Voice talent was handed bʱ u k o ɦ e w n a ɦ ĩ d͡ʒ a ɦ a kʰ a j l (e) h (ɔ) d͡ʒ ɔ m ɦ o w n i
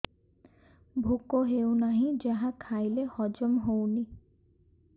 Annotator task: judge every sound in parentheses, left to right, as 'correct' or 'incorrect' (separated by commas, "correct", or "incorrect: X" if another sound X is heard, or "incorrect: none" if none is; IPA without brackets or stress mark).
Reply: correct, correct